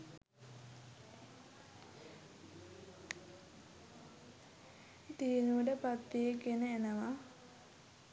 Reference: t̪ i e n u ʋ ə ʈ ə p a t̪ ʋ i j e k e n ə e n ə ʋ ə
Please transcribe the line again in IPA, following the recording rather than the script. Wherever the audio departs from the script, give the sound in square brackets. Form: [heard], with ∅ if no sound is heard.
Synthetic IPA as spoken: t̪ i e n u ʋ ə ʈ ə p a t̪ ʋ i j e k e n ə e n ə ʋ [a]